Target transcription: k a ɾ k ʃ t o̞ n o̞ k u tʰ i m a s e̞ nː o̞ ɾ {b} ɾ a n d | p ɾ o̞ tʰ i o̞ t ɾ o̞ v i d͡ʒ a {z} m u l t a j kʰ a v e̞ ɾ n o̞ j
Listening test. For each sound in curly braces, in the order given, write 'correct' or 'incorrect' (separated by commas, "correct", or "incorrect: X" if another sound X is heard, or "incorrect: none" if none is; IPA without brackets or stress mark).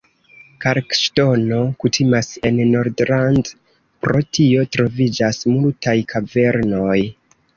incorrect: d, incorrect: s